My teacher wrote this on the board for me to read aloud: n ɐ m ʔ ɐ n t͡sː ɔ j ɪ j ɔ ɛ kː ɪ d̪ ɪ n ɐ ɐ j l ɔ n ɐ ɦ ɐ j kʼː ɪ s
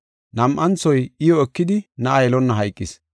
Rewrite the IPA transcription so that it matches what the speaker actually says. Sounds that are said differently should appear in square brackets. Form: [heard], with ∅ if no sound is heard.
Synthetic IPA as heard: n ɐ m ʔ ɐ n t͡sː ɔ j ɪ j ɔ ɛ kː ɪ d̪ ɪ n ɐ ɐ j l ɔ [nː] ɐ ɦ ɐ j kʼː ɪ s